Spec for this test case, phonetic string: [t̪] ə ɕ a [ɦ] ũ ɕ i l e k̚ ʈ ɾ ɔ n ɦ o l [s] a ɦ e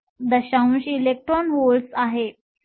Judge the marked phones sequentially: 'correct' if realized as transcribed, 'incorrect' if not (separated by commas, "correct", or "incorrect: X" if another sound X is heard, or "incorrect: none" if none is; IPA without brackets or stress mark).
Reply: incorrect: d̪, incorrect: none, correct